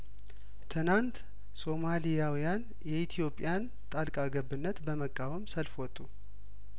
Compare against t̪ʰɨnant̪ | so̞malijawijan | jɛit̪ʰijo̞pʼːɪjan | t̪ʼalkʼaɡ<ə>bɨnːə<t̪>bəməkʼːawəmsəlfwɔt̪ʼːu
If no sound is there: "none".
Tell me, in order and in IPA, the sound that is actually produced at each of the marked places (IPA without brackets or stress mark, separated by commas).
ə, t̪